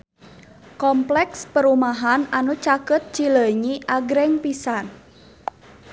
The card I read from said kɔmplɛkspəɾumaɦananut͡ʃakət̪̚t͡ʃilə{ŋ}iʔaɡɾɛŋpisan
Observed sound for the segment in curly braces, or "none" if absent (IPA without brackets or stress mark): ɲ